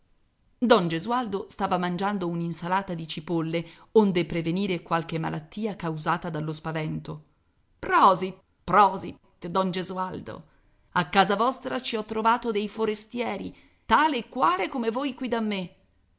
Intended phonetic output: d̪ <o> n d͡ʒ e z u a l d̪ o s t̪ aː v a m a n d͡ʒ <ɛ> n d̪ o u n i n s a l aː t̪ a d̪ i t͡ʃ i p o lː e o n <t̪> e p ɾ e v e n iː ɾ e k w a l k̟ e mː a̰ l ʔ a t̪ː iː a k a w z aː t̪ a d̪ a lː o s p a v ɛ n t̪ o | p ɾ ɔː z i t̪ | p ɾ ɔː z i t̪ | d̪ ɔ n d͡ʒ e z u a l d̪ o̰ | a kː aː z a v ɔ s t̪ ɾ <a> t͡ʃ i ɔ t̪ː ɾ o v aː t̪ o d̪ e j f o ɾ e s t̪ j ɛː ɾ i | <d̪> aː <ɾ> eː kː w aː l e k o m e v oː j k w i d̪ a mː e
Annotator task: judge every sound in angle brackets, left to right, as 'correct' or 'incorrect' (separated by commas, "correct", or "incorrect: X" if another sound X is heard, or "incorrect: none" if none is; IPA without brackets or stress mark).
incorrect: ɔ, incorrect: a, incorrect: d̪, correct, incorrect: t̪, incorrect: l